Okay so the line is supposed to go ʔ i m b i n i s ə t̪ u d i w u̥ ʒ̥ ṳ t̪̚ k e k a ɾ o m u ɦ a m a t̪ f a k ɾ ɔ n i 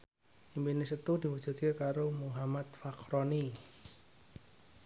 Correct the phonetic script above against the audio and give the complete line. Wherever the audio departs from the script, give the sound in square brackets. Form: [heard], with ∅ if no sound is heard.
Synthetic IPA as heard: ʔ i m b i n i s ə t̪ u d i w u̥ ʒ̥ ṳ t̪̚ k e k a ɾ o m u ɦ a m a t̪ f a k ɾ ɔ n i